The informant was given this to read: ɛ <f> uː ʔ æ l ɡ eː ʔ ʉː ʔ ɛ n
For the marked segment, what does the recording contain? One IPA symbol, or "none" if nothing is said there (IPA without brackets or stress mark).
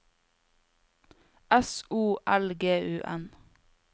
s